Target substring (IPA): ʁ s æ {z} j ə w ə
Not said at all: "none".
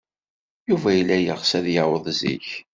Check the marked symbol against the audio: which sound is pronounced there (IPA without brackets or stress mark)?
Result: ð